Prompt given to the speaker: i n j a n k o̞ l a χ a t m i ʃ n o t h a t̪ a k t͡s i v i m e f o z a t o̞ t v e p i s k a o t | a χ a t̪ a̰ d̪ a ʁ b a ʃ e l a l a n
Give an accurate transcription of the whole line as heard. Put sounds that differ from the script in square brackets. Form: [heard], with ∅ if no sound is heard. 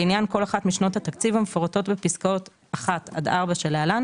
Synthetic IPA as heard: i n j a n k o̞ l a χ a t m i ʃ n o t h a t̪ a k t͡s i v [a] m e f o [ʁ] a t o̞ t [b] e p i s k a o t | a χ a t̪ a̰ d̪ a ʁ b a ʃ e l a l a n